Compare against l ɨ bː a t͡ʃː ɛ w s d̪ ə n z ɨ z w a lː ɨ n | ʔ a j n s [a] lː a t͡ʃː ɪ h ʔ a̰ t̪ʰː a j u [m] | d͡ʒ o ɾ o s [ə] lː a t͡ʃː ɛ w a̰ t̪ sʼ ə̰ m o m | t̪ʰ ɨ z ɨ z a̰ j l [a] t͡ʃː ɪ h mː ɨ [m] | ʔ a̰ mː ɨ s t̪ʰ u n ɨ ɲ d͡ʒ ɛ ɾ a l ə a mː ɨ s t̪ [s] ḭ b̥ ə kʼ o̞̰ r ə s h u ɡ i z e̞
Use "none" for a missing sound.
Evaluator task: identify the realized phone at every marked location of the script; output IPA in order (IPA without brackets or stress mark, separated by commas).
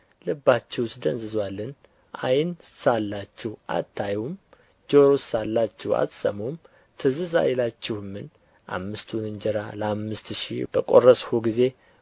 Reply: a, m, a, a, n, ʃ